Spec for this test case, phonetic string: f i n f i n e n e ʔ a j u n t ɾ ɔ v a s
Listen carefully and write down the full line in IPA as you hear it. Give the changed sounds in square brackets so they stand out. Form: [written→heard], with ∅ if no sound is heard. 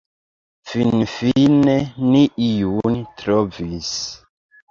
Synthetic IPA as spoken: f i n f i n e n [e→i] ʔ [a→i] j u n t ɾ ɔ v [a→i] s